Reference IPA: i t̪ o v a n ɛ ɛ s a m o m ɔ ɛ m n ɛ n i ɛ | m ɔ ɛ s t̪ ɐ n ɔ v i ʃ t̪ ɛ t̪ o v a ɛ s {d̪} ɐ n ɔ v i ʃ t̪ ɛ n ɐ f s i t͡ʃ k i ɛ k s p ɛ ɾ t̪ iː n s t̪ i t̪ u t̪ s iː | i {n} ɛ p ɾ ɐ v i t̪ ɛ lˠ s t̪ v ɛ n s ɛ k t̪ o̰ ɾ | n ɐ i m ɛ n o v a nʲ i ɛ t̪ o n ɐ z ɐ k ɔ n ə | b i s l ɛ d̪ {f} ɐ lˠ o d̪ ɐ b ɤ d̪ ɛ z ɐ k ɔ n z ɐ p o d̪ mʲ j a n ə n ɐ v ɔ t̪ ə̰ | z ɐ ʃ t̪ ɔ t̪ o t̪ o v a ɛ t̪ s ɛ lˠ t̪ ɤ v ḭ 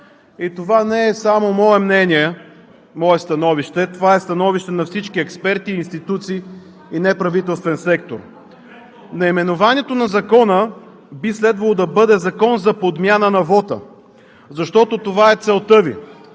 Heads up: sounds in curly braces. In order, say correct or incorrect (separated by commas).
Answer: incorrect, correct, incorrect